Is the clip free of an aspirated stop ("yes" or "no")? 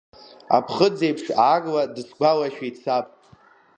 no